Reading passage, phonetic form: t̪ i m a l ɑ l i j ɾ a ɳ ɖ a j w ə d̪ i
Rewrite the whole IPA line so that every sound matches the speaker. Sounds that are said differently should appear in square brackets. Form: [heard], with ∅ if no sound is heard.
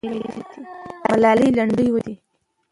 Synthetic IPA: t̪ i m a l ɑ l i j [l] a ɳ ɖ [ə] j w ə d̪ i